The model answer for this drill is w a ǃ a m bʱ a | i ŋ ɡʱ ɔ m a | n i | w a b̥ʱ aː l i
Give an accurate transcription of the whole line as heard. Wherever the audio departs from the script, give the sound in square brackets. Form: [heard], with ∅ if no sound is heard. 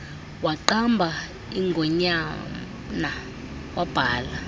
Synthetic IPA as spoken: w a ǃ a m bʱ a | i ŋ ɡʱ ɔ [ɲ] a | n [a] | w a b̥ʱ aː l [a]